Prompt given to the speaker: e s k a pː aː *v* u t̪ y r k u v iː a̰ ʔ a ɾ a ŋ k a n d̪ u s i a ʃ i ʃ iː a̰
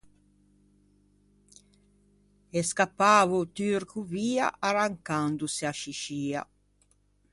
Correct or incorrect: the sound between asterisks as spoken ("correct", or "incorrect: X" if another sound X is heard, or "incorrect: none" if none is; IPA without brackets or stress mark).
correct